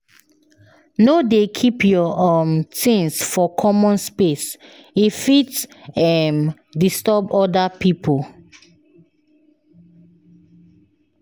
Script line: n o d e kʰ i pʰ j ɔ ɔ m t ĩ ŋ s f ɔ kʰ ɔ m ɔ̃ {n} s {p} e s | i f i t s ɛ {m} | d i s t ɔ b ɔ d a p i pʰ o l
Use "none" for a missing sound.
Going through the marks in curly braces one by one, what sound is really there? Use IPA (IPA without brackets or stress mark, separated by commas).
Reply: n, p, m